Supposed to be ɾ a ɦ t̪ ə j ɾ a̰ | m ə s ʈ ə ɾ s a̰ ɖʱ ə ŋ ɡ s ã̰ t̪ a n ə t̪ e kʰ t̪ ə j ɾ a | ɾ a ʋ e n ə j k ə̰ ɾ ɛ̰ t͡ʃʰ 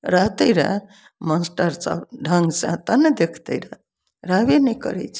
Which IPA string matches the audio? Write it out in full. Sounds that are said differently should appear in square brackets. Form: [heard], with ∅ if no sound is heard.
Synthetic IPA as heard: ɾ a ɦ t̪ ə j ɾ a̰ | m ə s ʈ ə ɾ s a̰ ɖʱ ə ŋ ɡ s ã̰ t̪ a n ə [d̪] e kʰ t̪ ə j ɾ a | ɾ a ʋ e n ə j k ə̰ ɾ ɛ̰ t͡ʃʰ